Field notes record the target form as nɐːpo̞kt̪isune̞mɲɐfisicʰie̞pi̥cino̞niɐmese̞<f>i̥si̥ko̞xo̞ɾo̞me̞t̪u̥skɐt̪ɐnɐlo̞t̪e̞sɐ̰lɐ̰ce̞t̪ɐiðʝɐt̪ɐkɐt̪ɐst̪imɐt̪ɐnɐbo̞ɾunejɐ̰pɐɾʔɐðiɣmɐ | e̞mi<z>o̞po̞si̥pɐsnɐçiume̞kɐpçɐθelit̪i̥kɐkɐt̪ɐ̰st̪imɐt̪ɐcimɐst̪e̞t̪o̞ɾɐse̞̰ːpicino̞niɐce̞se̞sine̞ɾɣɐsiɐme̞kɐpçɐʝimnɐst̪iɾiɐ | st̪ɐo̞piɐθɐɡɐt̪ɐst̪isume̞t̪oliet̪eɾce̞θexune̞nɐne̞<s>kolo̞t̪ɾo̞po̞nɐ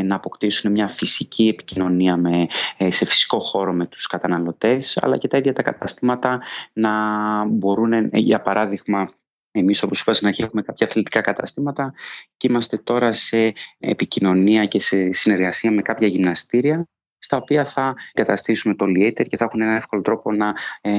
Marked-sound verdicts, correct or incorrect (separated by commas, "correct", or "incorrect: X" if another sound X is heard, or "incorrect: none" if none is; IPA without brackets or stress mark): correct, incorrect: s, incorrect: f